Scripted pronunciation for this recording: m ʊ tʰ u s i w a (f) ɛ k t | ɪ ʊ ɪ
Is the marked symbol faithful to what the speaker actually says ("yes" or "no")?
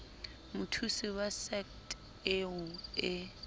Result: no